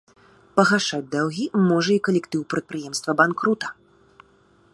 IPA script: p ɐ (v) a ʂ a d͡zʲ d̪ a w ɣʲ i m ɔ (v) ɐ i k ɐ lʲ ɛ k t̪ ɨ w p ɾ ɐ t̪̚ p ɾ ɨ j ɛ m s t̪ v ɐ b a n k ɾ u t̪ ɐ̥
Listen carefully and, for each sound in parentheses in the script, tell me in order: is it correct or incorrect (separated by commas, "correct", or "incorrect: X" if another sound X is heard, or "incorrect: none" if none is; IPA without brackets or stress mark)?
incorrect: ɣ, incorrect: ʐ